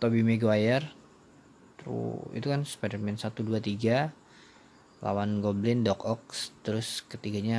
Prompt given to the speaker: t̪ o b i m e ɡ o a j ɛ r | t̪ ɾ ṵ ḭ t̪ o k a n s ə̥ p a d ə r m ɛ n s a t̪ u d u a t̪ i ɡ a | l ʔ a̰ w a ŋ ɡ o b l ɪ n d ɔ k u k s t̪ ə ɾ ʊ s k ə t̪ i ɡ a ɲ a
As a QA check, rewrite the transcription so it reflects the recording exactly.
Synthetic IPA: t̪ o b i m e ɡ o a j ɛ r | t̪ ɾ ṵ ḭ t̪ u k a n s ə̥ p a d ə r m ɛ n s a t̪ u d u a t̪ i ɡ a | l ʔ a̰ w a n ɡ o b l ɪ n d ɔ k ɔ k s t̪ ə ɾ ʊ s k ə t̪ i ɡ a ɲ a